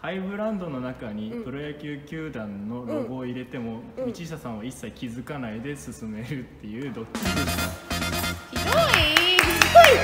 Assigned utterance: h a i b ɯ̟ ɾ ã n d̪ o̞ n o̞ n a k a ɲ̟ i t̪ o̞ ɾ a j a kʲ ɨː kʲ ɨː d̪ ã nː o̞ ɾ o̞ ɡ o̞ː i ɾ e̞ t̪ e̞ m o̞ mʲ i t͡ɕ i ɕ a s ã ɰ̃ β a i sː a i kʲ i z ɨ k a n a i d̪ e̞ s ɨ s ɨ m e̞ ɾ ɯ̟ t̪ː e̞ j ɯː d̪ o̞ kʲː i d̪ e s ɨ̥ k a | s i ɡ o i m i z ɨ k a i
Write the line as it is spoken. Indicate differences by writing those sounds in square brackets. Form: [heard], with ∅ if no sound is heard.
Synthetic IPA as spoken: h a i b ɯ̟ ɾ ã n d̪ o̞ n o̞ n a k a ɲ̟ i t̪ o̞ ɾ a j a kʲ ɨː kʲ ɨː d̪ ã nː o̞ ɾ o̞ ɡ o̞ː i ɾ e̞ t̪ e̞ m o̞ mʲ i t͡ɕ i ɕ a s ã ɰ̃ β a i sː a i kʲ i z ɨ k a n a i d̪ e̞ s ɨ s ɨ m e̞ ɾ ɯ̟ t̪ː e̞ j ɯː d̪ o̞ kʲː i d̪ e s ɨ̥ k a | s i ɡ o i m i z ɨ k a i

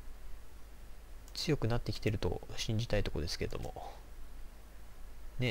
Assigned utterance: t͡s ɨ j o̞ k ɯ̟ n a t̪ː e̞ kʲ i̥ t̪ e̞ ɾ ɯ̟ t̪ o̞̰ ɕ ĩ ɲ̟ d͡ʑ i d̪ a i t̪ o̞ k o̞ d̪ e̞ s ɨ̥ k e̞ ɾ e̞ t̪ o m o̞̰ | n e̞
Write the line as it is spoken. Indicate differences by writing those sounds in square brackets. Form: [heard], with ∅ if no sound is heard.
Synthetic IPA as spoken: t͡s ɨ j o̞ k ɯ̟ n a t̪ː e̞ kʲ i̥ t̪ e̞ ɾ ɯ̟ t̪ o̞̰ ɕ ĩ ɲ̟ d͡ʑ i [t̪] a i t̪ o̞ k o̞ d̪ e̞ s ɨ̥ k e̞ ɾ e̞ [d̪] o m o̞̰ | n e̞

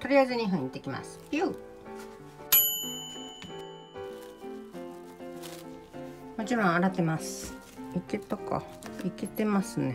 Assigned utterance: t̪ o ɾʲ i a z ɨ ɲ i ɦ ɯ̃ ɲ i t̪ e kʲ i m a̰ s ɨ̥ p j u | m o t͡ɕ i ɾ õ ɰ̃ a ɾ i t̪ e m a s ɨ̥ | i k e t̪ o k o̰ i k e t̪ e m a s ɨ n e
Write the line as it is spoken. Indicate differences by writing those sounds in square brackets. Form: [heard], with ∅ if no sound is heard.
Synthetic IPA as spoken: t̪ o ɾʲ i a z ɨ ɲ i ɦ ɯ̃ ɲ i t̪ e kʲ i m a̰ s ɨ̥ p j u | m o t͡ɕ i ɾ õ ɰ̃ a ɾ [a] t̪ e m a s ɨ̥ | i k e t̪ o k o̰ i k e t̪ e m a s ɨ n e

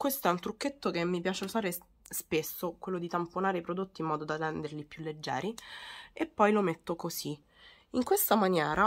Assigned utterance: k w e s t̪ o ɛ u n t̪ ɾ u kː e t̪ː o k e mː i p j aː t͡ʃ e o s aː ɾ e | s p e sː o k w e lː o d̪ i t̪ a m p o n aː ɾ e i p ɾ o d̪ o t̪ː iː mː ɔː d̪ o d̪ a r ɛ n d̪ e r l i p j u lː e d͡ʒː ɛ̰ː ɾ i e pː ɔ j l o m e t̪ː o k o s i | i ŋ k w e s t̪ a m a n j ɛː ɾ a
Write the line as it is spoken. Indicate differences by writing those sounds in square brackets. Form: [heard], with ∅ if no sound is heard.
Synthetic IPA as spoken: k w e s t̪ o ɛ u n t̪ ɾ u kː e t̪ː o k e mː i p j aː t͡ʃ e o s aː ɾ e | s p e sː o k w e lː o d̪ i t̪ a m p o n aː ɾ e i p ɾ o d̪ o t̪ː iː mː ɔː d̪ o d̪ a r ɛ n d̪ e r l i p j u lː e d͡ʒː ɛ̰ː ɾ i e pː ɔ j l o m e t̪ː o k o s i | i ŋ k w e s t̪ a m a n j ɛː ɾ a

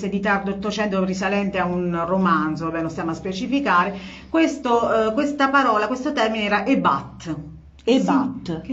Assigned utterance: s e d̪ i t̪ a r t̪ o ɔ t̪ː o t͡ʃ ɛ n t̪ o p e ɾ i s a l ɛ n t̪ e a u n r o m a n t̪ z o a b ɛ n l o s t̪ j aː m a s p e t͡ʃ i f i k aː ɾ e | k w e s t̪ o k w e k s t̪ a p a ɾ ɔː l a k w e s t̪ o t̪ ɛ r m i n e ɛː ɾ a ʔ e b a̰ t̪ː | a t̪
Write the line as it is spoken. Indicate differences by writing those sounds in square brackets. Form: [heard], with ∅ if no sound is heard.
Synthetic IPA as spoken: s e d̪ i t̪ a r [d̪] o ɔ t̪ː o t͡ʃ ɛ n t̪ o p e ɾ i s a l ɛ n t̪ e a u n r o m a n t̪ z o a b ɛ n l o s t̪ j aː m a s p e t͡ʃ i f i k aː ɾ e | k w e s t̪ o k w e [∅] s t̪ a p a ɾ ɔː l a k w e s t̪ o t̪ ɛ r m i n e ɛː ɾ a ʔ e b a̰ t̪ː | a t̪

